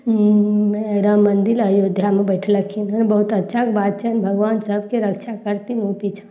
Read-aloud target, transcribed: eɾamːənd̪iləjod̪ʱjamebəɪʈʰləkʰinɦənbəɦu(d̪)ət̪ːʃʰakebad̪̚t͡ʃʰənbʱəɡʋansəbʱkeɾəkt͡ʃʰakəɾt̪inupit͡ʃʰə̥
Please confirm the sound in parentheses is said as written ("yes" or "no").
no